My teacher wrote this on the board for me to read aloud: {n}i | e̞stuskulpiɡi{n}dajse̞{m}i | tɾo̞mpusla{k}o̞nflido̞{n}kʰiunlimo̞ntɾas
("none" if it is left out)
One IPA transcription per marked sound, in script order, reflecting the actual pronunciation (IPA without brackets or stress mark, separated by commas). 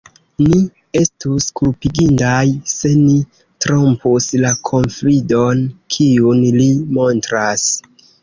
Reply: n, n, n, kʰ, n